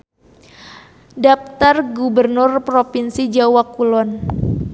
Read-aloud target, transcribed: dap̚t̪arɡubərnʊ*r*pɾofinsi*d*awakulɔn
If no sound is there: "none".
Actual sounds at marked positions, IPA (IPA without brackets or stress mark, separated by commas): r, d͡ʒ